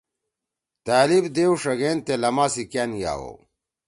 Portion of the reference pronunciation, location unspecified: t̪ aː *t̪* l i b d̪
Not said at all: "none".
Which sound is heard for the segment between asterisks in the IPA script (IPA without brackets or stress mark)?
none